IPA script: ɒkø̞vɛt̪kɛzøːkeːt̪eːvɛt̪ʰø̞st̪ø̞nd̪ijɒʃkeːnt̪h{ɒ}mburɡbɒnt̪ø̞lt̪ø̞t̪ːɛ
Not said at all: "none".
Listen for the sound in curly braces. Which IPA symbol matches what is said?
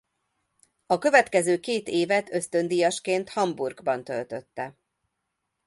ɒ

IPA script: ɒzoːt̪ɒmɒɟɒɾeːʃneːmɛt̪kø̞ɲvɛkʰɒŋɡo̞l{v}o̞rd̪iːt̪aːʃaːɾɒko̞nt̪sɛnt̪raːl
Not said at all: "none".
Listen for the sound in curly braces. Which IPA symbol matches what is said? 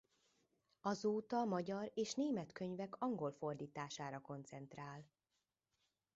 f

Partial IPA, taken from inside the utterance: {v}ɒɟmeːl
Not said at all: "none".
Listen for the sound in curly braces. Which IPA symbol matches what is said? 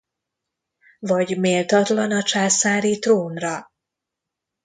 v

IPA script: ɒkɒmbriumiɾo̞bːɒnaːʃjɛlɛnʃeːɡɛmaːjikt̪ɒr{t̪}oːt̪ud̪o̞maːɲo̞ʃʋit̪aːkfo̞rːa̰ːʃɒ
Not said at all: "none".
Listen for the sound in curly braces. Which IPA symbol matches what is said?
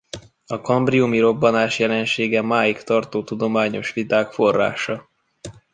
t̪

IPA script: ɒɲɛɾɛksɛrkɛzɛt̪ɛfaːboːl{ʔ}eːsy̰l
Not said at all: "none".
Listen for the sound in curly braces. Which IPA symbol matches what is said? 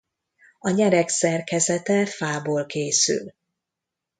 k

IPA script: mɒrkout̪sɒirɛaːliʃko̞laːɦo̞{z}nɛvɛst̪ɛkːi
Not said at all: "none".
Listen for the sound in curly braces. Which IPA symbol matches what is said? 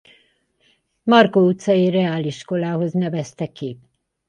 z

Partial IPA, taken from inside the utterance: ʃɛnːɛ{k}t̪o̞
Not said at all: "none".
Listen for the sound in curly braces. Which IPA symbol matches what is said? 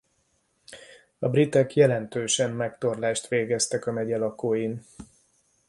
k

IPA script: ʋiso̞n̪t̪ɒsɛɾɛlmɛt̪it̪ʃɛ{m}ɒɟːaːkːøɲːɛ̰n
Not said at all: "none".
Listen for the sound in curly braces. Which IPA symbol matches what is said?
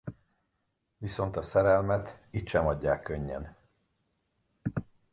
m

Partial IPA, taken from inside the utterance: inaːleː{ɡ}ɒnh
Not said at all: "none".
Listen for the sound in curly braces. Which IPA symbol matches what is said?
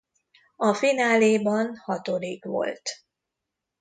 b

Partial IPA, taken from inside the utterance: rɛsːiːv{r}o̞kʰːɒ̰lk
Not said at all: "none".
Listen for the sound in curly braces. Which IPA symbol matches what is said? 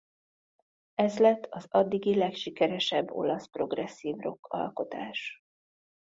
r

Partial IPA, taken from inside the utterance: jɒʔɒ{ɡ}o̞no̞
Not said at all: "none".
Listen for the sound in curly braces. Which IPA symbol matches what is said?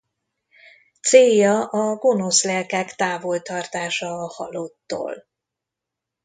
ɡ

